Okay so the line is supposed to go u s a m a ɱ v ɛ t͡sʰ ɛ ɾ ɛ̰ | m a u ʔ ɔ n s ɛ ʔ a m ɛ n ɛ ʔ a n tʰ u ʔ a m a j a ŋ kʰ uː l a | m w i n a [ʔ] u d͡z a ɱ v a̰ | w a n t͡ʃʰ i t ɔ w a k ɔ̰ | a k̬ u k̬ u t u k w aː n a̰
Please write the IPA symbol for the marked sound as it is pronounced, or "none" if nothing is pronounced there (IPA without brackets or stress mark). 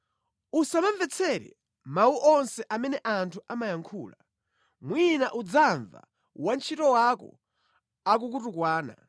ʔ